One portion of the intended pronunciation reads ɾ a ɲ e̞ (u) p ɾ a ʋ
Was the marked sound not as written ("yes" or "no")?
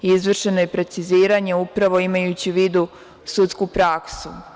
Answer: no